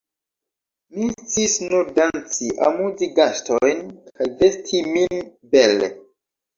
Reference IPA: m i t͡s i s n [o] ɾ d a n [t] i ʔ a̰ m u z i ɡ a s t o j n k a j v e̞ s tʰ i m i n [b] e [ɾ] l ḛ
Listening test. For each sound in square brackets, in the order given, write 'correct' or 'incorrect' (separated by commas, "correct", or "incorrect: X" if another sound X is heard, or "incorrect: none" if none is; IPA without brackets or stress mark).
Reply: incorrect: u, incorrect: t͡s, correct, incorrect: none